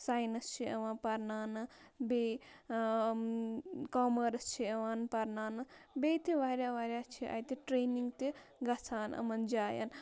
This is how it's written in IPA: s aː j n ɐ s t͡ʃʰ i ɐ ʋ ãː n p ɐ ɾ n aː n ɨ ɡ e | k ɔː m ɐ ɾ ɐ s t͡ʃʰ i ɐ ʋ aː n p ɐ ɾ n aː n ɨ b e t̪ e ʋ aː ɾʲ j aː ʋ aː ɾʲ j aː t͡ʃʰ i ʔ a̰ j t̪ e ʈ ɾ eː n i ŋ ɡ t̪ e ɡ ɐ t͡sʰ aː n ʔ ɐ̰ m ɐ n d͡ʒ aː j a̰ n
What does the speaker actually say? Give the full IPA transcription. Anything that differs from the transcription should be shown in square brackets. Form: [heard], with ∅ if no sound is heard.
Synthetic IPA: s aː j n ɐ s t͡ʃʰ i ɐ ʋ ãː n p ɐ ɾ n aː n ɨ [b] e | k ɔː m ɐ ɾ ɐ s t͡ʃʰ i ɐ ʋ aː n p ɐ ɾ n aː n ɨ b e t̪ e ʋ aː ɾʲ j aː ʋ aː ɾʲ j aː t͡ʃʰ i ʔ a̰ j t̪ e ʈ ɾ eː n i ŋ ɡ t̪ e ɡ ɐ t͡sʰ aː n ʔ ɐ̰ m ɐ n d͡ʒ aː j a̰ n